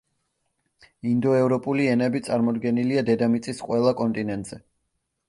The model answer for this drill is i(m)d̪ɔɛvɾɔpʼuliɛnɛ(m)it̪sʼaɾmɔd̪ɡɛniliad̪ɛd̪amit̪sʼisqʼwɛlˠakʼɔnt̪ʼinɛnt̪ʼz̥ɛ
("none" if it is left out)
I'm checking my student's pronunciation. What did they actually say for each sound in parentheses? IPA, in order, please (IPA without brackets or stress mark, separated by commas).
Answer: n, b